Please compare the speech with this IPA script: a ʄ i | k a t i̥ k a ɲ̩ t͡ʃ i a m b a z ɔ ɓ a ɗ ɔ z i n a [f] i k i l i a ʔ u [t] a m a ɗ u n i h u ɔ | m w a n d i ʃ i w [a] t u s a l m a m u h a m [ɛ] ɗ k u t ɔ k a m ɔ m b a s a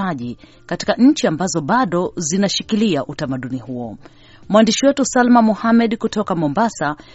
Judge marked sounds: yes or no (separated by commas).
no, yes, no, yes